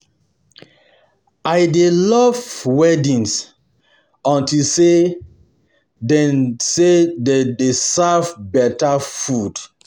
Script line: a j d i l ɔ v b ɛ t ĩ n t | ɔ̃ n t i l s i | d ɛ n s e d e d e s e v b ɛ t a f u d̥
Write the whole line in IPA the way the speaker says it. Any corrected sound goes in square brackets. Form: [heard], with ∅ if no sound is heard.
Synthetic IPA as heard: a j d [e] l ɔ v [w] ɛ [d] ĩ n [s] | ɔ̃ n t i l s [e] | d ɛ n s e d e d e s [a] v b ɛ t a f u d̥